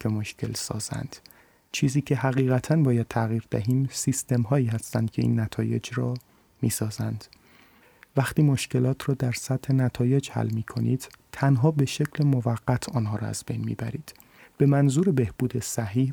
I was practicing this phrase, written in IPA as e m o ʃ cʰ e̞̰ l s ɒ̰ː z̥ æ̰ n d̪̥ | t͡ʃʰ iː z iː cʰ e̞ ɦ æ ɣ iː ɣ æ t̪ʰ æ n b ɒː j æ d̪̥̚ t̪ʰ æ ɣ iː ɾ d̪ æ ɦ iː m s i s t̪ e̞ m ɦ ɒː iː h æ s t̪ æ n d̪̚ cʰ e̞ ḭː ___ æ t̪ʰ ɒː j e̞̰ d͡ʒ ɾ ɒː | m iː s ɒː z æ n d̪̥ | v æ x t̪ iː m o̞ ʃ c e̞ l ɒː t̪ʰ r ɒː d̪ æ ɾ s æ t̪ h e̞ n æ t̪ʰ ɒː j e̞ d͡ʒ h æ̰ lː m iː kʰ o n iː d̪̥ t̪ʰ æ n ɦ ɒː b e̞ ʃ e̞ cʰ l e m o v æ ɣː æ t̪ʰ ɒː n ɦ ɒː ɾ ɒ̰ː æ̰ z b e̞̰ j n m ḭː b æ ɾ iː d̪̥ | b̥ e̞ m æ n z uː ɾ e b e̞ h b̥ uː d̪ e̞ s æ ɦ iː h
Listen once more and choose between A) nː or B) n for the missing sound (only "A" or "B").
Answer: A